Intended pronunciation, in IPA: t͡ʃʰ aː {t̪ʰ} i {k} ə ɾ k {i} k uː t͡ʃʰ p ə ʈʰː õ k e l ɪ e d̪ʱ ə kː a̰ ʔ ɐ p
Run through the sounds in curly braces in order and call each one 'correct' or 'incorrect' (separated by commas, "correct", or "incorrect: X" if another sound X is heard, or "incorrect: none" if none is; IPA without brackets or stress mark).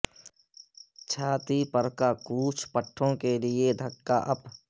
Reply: incorrect: t̪, incorrect: p, incorrect: a